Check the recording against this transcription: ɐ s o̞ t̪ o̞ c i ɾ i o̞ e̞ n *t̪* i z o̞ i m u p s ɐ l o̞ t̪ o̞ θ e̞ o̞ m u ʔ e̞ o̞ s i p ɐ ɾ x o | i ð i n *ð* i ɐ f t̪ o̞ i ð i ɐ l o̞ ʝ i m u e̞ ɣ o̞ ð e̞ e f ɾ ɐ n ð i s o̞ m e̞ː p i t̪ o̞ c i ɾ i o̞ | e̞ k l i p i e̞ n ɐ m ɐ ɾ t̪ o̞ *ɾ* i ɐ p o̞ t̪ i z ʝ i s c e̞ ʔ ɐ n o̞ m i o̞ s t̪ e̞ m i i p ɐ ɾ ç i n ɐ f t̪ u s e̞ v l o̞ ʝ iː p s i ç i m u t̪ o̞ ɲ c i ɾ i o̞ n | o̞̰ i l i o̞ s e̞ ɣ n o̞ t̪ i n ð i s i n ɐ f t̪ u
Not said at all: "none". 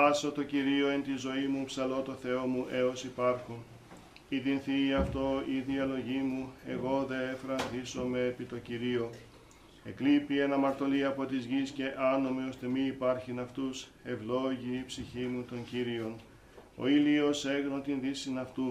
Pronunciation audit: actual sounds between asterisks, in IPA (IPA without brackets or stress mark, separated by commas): t̪, θ, l